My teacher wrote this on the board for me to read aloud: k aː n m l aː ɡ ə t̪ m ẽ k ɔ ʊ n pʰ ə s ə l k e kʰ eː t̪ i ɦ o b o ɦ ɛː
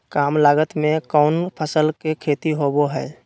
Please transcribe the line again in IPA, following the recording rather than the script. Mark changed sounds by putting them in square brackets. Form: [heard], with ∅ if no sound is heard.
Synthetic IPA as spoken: k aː [∅] m l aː ɡ ə t̪ m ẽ k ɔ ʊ n pʰ ə s ə l k e kʰ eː t̪ i ɦ o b o ɦ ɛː